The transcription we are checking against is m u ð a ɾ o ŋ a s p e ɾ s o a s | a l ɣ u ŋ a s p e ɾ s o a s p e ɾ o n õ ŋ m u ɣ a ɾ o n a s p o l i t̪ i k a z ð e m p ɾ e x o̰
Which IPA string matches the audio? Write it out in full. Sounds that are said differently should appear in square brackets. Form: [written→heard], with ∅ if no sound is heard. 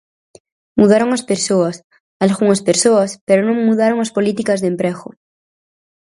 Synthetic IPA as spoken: m u ð a ɾ o ŋ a s p e ɾ s o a s | a l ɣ u ŋ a s p e ɾ s o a s p e ɾ o n õ ŋ m u [ɣ→ð] a ɾ o [n→ŋ] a s p o l i t̪ i k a z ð e m p ɾ e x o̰

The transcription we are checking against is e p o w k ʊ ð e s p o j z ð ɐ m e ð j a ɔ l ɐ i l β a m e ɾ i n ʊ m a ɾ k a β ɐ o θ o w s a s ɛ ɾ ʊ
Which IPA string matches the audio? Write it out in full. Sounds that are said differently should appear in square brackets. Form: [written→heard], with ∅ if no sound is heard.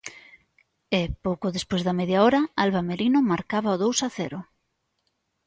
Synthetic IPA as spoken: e p o w k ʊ ð e s p o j z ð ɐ m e ð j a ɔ [l→ɾ] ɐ [i→a] l β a m e ɾ i n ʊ m a ɾ k a β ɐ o [θ→ð] o w s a [s→θ] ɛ ɾ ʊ

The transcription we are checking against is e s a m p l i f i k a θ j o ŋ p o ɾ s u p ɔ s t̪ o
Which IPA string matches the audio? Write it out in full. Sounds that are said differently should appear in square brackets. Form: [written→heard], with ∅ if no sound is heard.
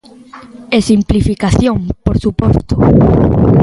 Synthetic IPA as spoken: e s [a→i] m p l i f i k a θ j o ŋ p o ɾ s u p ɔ s t̪ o

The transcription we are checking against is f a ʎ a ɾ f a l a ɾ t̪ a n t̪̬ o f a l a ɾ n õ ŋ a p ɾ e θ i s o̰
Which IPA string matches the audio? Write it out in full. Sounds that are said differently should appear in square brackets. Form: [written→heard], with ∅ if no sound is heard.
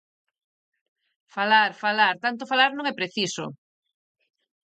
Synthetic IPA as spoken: f a [ʎ→l] a ɾ f a l a ɾ t̪ a n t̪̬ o f a l a ɾ n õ ŋ [a→ɛ] p ɾ e θ i s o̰

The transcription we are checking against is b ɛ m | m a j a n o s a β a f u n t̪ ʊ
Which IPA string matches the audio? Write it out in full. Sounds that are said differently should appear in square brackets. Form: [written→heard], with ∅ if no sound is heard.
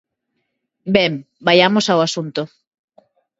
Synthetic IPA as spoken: b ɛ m | [m→b] a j a [n→m] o s a [β→w] a [f→s] u n t̪ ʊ

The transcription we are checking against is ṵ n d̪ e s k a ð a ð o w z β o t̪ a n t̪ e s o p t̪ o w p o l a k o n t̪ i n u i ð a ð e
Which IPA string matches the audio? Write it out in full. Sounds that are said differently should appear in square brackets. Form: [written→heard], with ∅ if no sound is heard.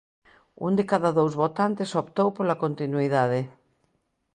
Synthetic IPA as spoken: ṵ n d̪ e [s→∅] k a ð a ð o w z β o t̪ a n t̪ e s o p t̪ o w p o l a k o n t̪ i n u i ð a ð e

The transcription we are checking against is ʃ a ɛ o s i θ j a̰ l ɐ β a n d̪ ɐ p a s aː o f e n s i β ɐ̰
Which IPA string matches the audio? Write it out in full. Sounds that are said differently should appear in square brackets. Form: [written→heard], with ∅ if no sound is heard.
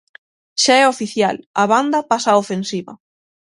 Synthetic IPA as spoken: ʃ a ɛ o [s→f] i θ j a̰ l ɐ β a n d̪ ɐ p a s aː o f e n s i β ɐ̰

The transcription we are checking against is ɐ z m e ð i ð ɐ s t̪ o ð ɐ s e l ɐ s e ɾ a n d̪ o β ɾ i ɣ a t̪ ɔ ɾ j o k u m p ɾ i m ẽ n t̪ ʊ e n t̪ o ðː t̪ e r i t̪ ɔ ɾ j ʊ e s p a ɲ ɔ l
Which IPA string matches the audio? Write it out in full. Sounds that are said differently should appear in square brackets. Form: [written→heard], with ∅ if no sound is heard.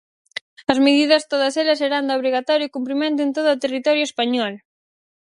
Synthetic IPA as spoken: ɐ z m e ð i ð ɐ s t̪ o ð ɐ s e l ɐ s e ɾ a n d̪ o β ɾ i ɣ a t̪ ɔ ɾ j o k u m p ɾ i m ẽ n t̪ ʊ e n t̪ o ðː t̪ e r i t̪ ɔ ɾ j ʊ e s p a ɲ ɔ l

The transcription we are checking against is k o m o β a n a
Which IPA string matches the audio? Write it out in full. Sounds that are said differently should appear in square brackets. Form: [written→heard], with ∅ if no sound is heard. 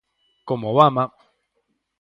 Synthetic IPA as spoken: k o m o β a [n→m] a

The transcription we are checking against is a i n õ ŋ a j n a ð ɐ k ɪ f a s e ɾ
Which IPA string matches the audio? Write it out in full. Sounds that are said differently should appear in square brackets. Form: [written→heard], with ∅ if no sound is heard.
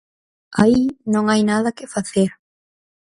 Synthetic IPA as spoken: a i n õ ŋ a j n a ð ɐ k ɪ f a [s→θ] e ɾ

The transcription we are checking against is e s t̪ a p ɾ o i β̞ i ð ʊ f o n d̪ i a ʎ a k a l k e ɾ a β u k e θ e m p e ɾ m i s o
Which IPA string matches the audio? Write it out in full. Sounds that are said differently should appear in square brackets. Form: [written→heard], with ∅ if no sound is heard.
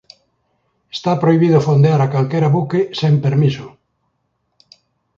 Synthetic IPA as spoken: e s t̪ a p ɾ o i β̞ i ð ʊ f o n d̪ [i→e] a [ʎ→ɾ] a k a l k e ɾ a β u k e [θ→s] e m p e ɾ m i s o

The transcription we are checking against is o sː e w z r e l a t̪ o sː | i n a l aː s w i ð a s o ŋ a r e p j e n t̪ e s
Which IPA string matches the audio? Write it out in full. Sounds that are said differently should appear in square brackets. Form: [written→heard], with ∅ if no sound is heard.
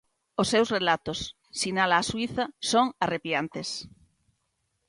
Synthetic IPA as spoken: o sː e w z r e l a t̪ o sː | i n a l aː s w i [ð→θ] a s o ŋ a r e p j [e→a] n t̪ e s

